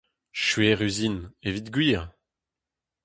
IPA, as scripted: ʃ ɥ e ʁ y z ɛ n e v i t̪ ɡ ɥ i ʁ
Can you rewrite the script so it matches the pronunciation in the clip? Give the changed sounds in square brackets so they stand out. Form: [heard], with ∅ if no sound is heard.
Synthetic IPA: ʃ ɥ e ʁ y z [i] n e v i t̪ ɡ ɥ [iː] ʁ